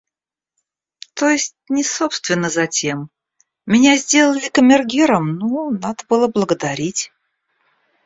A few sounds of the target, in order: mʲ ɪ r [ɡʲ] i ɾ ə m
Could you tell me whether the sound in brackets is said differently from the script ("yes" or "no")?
no